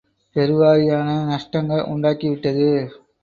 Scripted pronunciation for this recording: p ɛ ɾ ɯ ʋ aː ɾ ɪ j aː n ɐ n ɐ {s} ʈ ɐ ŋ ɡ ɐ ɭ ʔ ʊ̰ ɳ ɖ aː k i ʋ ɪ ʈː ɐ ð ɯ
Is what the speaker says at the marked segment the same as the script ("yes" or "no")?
no